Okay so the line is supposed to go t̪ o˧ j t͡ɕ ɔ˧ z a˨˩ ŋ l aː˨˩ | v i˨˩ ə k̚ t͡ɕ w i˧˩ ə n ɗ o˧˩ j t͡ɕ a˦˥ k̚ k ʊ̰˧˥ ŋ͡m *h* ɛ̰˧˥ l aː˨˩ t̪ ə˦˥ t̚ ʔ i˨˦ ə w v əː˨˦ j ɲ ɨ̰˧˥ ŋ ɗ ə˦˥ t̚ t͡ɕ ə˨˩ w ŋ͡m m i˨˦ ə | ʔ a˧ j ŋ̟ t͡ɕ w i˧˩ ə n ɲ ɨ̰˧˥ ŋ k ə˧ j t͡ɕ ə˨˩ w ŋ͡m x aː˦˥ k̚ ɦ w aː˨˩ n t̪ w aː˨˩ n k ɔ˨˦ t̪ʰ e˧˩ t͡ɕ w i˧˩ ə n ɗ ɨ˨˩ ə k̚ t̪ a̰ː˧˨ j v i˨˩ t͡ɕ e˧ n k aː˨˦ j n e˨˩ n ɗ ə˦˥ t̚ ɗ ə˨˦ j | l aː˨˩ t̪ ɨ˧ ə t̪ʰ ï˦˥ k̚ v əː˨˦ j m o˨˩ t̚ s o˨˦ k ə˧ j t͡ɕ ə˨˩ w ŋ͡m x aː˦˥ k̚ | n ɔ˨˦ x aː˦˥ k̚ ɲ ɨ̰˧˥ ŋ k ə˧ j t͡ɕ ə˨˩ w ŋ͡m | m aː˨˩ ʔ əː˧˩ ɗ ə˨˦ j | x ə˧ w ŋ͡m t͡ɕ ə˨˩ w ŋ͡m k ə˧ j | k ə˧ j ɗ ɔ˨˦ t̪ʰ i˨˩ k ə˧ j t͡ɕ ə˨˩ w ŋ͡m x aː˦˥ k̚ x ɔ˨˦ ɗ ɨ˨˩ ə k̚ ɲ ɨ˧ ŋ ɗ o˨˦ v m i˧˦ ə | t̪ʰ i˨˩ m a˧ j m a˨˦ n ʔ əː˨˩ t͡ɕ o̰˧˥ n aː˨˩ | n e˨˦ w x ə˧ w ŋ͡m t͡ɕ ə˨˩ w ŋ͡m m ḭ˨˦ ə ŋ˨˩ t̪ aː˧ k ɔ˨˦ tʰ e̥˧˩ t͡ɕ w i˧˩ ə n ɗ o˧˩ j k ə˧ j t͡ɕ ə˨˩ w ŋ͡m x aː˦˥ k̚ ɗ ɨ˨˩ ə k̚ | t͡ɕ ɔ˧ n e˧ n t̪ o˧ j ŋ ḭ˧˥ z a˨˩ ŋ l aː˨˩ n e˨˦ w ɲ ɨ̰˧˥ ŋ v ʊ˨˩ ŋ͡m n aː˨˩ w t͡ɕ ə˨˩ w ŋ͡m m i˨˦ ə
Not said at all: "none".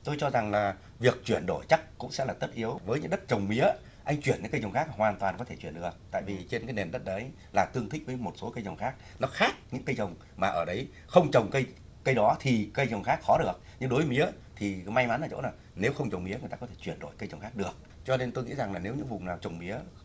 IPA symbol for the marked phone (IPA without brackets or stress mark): s